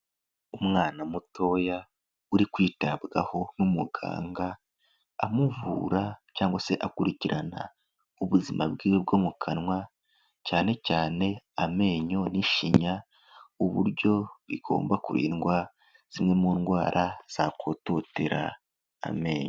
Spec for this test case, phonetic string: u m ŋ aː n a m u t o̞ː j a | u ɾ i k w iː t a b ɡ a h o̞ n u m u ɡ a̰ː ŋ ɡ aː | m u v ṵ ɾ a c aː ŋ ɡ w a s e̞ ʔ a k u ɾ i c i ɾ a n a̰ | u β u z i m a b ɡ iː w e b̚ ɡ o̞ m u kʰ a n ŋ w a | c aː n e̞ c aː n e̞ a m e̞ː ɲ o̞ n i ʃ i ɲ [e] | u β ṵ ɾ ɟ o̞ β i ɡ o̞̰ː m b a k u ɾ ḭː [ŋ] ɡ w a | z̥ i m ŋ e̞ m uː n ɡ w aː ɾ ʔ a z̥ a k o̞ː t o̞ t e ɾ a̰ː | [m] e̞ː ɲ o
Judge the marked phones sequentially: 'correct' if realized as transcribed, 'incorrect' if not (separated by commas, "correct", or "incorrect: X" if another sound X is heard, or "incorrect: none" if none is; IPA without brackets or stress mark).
incorrect: a, incorrect: n, correct